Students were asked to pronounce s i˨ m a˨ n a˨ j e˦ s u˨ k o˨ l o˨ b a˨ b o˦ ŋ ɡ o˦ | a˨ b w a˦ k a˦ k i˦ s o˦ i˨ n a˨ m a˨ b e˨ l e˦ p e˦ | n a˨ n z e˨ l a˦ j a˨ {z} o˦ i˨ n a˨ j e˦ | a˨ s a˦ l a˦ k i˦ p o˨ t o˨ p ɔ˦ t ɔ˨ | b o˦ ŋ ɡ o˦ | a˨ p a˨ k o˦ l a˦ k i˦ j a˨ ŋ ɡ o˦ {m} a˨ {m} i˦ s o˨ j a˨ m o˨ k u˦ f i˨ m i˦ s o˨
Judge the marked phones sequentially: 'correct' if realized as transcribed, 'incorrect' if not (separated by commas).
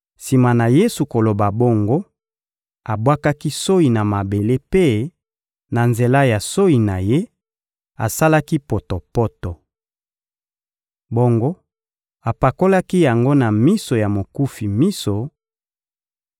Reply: incorrect, incorrect, correct